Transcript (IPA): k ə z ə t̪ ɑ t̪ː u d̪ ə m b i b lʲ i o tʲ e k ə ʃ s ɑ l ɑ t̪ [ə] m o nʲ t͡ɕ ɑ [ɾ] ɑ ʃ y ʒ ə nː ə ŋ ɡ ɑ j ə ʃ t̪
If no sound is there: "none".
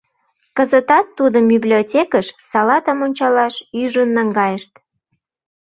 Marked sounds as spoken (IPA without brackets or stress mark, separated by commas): ə, l